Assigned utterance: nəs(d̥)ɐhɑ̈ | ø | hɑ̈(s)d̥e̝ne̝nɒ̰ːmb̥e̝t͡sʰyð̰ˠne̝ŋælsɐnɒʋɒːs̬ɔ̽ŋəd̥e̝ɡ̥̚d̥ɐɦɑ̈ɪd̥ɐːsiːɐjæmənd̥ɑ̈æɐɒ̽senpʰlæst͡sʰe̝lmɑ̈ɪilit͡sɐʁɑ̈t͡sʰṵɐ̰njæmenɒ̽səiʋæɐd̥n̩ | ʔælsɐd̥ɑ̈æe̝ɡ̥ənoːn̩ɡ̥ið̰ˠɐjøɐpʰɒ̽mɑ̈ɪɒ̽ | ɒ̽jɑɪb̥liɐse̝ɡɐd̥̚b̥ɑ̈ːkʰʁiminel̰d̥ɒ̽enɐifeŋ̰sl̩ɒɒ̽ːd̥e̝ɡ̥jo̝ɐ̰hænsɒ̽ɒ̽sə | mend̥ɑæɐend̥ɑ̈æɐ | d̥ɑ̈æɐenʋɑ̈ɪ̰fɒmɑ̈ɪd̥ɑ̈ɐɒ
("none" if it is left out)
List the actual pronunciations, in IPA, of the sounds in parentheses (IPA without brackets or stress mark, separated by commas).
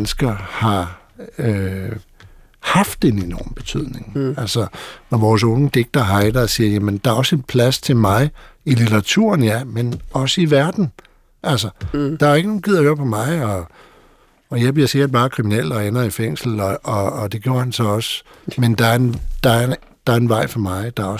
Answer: ɡ̥, f